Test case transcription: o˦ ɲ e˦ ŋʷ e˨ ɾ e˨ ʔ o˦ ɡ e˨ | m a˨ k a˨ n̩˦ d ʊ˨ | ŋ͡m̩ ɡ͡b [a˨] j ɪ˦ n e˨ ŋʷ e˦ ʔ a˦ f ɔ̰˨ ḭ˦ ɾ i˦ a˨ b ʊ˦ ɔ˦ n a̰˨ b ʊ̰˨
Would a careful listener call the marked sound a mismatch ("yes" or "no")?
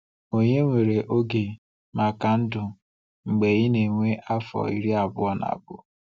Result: yes